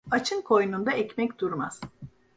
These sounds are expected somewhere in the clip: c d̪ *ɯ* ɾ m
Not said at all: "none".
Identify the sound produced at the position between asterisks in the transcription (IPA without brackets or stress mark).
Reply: u